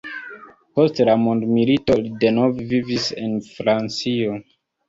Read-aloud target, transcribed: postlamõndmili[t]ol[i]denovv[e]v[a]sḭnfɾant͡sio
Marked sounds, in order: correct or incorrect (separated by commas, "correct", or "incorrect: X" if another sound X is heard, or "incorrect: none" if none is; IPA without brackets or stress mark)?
correct, correct, incorrect: i, incorrect: i